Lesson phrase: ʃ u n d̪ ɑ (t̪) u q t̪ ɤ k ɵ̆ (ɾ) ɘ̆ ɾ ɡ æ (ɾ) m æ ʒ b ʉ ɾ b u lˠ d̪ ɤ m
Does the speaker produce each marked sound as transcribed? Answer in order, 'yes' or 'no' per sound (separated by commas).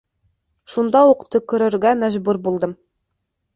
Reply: no, yes, no